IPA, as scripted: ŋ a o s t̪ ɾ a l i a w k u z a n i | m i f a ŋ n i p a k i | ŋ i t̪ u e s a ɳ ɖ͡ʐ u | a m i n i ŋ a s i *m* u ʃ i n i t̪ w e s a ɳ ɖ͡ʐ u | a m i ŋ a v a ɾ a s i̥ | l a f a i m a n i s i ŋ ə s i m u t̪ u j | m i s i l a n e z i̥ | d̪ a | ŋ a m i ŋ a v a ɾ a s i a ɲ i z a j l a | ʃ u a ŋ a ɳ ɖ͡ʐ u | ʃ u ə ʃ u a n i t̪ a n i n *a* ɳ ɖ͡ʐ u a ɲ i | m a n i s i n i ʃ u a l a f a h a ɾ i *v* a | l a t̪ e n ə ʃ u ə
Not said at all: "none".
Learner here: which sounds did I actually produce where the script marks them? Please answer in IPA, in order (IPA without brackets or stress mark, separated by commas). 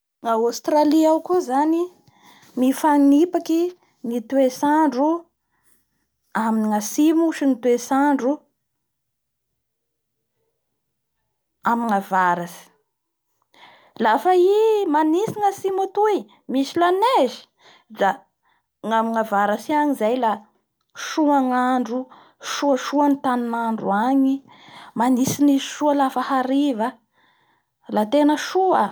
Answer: m, a, v